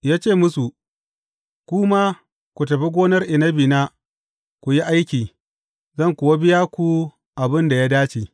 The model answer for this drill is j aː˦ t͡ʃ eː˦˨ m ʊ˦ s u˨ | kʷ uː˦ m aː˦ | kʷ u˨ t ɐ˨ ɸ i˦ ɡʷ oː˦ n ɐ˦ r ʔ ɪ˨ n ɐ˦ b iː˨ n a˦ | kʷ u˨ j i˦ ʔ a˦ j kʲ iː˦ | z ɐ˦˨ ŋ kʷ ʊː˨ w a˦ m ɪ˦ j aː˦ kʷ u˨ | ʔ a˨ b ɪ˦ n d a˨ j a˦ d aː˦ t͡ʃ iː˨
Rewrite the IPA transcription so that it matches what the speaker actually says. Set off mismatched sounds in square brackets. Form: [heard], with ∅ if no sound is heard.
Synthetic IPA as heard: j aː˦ t͡ʃ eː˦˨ m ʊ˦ s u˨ | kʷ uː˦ m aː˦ | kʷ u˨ t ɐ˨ ɸ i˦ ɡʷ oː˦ n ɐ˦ r ʔ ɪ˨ n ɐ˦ b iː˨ n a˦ | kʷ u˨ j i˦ ʔ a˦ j kʲ [iː˨] | z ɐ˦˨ ŋ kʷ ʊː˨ w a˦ [b] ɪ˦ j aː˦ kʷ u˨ | ʔ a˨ b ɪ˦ n d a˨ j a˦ d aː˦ t͡ʃ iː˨

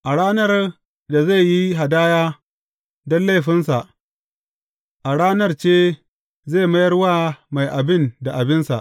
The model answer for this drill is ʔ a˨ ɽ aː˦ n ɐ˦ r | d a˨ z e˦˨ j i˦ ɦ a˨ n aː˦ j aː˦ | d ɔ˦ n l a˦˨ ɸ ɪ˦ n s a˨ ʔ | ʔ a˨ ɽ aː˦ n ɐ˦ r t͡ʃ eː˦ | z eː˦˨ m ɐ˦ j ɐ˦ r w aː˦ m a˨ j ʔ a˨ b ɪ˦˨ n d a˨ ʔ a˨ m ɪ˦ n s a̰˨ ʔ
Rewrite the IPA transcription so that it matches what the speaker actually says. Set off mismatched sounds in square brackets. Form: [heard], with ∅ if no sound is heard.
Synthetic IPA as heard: ʔ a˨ ɽ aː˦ n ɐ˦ r | d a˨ z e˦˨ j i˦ ɦ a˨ [d] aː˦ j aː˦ | d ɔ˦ n l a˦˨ ɸ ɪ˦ n s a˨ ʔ | ʔ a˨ ɽ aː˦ n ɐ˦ r t͡ʃ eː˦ | z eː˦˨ m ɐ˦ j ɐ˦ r w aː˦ m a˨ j ʔ a˨ b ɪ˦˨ n d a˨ ʔ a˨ [b] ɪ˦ n s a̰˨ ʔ

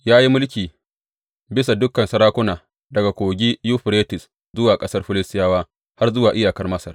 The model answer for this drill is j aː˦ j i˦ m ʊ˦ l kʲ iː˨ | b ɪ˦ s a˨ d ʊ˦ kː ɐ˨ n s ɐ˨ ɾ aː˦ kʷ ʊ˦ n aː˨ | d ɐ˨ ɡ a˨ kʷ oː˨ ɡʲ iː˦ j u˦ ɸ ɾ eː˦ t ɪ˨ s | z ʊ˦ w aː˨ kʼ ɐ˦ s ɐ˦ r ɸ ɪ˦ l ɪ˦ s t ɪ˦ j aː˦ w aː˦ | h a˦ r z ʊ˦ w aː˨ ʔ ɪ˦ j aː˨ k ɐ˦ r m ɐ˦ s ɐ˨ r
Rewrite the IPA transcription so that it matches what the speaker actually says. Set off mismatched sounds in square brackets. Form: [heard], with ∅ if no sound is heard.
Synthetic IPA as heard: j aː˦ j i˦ m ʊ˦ l kʲ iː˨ | b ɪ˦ s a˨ d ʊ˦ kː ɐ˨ n s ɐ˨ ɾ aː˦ kʷ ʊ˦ n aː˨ | d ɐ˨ ɡ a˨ kʷ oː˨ ɡʲ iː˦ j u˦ ɸ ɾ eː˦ t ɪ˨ s | z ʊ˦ w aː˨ kʼ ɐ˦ s ɐ˦ r ɸ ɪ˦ l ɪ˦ s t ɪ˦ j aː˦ w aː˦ | h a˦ r z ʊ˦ w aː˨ ʔ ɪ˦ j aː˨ k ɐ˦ r m ɐ˦ s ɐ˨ r

